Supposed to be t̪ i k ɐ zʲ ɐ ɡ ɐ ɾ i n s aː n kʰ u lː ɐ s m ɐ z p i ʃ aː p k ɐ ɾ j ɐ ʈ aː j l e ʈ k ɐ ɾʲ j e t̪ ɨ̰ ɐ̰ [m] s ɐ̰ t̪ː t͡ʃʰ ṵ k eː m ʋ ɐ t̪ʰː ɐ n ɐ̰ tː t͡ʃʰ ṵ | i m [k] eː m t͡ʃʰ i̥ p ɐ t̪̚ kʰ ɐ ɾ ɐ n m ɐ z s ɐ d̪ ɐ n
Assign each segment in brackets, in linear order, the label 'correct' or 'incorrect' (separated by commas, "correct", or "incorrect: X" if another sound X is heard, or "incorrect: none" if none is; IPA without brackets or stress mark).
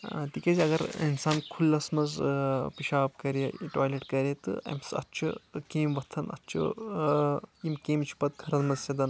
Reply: correct, correct